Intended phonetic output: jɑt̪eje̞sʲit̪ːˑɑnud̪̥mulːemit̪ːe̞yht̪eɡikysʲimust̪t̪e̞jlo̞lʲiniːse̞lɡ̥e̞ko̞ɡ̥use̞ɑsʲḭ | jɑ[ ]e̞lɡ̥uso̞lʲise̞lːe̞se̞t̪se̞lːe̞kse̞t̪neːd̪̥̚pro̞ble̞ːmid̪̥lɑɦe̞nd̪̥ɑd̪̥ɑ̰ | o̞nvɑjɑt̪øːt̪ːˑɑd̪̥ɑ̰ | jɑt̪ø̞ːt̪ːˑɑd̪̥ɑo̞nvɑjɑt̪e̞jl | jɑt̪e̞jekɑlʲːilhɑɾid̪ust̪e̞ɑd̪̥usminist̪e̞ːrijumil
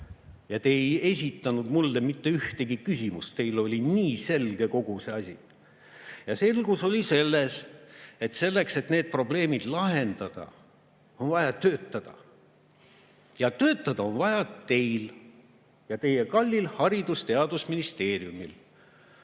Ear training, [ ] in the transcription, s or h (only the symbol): s